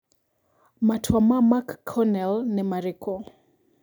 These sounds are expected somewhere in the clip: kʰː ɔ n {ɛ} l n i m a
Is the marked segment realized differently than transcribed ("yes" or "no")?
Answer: no